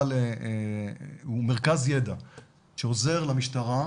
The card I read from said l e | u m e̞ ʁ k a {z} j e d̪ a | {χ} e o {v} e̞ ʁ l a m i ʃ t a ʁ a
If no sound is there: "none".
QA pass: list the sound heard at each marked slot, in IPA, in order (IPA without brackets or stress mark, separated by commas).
z, ʃ, z